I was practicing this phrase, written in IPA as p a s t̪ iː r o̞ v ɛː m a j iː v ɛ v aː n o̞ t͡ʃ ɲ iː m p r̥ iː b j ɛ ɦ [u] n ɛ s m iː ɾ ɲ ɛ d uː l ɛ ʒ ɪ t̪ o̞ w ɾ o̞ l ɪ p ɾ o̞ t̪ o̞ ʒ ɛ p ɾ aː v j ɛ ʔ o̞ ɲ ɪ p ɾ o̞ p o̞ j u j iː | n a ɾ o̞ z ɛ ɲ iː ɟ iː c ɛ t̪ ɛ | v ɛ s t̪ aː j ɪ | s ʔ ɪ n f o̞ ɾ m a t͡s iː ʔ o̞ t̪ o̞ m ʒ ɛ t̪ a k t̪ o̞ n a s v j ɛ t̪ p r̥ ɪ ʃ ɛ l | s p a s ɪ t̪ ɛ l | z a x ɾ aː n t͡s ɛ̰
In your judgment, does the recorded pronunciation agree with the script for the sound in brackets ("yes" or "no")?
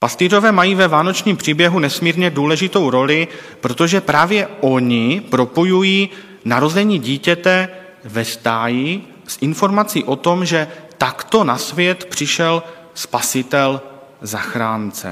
yes